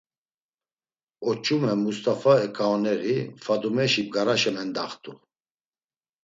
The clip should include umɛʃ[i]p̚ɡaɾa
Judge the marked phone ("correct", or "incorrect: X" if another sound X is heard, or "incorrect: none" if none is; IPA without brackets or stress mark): correct